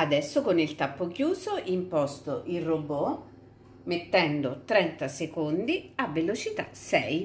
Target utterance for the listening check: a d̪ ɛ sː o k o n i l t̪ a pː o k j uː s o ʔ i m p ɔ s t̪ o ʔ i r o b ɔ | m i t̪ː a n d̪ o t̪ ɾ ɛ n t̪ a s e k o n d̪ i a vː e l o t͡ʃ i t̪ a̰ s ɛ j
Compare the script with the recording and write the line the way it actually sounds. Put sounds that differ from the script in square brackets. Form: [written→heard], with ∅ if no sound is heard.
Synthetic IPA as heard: a d̪ ɛ sː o k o n i l t̪ a pː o k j uː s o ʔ i m p ɔ s t̪ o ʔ i r o b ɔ | m [i→e] t̪ː [a→ɛ] n d̪ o t̪ ɾ ɛ n t̪ a s e k o n d̪ i a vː e l o t͡ʃ i t̪ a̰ s ɛ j